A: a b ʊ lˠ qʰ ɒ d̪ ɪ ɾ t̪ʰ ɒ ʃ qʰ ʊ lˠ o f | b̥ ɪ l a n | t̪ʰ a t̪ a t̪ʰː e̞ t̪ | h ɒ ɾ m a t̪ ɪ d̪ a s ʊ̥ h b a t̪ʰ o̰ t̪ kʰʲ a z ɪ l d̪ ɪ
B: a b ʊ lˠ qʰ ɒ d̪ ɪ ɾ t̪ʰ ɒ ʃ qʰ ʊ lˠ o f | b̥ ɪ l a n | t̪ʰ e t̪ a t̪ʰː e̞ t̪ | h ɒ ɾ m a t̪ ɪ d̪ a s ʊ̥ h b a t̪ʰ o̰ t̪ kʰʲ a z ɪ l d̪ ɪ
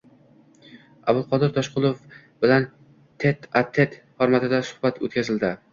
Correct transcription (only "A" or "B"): B